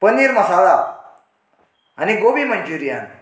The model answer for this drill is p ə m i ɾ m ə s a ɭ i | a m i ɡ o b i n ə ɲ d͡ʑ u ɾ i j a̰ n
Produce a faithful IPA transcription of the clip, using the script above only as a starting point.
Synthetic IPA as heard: p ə n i ɾ m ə s a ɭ a | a n i ɡ o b i m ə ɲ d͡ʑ u ɾ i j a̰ n